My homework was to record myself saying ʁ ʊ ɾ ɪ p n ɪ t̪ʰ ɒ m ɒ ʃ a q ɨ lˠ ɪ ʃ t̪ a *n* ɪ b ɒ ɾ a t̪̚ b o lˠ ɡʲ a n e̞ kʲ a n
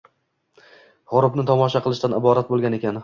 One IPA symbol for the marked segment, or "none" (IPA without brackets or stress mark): n